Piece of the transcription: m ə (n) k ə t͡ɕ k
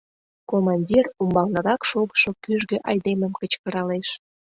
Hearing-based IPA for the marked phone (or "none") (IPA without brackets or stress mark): m